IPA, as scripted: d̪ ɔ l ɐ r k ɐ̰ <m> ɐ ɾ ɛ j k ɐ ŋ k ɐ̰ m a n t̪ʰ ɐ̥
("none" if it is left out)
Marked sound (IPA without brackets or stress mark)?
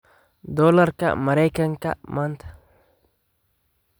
m